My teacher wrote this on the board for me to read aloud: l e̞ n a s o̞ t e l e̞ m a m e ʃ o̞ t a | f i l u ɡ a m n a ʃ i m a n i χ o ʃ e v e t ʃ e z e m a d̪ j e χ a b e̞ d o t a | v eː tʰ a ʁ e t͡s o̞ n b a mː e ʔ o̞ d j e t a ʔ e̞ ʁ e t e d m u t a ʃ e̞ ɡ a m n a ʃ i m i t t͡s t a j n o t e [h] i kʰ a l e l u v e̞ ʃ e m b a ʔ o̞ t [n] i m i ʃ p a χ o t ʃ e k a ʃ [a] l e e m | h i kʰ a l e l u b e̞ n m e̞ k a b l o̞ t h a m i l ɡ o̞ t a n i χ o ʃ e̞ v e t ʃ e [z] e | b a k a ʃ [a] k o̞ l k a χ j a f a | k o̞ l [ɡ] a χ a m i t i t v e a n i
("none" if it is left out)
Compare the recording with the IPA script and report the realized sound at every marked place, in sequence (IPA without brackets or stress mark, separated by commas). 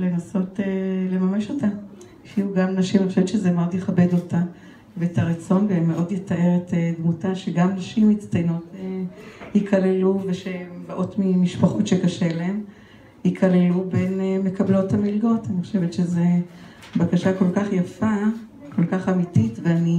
h, m, e, z, a, k